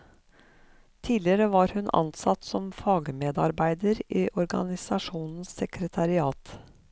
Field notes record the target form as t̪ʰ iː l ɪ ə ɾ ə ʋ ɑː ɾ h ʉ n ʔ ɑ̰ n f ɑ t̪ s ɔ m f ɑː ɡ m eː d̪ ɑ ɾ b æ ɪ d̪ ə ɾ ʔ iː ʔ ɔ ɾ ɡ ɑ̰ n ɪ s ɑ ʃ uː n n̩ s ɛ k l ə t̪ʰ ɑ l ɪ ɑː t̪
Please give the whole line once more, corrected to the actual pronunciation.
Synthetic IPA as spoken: t̪ʰ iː l ɪ ə ɾ ə ʋ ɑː ɾ h ʉ n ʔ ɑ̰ n s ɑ t̪ s ɔ m f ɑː ɡ m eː d̪ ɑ ɾ b æ ɪ d̪ ə ɾ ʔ iː ʔ ɔ ɾ ɡ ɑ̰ n ɪ s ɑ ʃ uː n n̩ s ɛ k ɾ ə t̪ʰ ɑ ɾ ɪ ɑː t̪